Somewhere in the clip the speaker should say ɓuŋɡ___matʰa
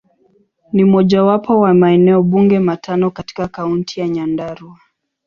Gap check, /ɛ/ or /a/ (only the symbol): ɛ